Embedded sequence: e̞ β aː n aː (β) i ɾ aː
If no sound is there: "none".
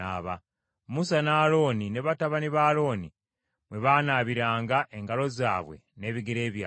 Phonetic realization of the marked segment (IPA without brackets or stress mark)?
β